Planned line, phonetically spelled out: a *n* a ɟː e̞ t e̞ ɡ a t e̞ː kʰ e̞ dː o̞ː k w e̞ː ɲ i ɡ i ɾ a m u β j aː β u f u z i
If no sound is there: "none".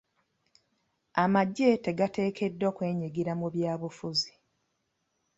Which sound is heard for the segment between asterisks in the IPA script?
m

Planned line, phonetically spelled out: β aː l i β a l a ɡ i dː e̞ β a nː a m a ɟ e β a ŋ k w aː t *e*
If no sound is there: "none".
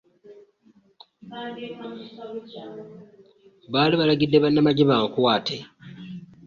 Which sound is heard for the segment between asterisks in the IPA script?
e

